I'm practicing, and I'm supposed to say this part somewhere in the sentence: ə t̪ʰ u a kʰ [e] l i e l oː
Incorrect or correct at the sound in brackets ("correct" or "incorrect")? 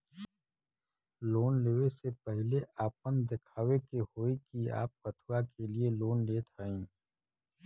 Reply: correct